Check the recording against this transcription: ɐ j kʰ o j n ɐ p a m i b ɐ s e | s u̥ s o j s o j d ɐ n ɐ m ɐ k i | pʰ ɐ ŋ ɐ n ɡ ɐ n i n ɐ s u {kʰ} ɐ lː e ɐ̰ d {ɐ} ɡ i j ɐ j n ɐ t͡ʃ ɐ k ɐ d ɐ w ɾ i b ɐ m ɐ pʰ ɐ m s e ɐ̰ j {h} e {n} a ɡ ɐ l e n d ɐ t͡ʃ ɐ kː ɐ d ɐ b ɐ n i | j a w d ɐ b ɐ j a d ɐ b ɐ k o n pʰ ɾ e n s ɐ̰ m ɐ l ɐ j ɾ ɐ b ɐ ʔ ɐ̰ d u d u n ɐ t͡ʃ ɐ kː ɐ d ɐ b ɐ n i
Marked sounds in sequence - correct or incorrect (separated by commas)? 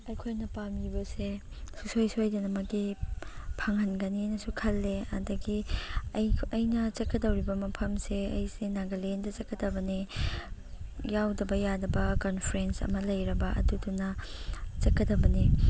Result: correct, correct, incorrect, correct